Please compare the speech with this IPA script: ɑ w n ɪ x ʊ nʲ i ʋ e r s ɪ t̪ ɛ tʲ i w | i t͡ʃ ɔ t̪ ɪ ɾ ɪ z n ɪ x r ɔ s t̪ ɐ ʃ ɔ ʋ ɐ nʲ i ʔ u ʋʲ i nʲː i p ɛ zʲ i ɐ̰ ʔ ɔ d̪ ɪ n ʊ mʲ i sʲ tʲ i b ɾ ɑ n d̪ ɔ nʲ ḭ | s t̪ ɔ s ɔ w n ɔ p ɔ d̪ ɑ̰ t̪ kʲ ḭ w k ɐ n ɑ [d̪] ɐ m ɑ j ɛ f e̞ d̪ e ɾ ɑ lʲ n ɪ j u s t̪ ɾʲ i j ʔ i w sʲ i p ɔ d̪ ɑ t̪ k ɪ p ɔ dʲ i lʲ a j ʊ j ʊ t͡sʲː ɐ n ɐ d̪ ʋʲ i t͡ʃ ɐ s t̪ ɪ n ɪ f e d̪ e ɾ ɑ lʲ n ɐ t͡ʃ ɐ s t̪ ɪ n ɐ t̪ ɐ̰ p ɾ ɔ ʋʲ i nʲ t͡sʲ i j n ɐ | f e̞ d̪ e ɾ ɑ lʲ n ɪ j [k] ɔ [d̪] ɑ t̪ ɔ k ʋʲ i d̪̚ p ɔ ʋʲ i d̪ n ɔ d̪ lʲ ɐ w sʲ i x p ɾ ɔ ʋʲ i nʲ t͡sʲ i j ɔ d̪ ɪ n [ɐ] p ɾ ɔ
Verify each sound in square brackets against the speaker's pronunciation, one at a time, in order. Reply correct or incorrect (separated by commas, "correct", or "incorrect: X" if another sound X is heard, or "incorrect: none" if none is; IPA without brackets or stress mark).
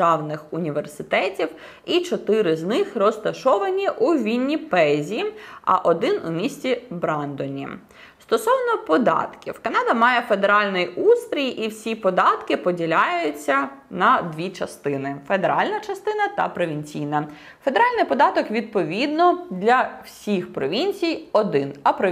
correct, incorrect: p, correct, correct